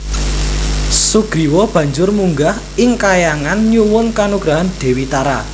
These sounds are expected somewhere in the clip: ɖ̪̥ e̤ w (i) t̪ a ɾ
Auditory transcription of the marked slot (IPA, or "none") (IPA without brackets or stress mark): i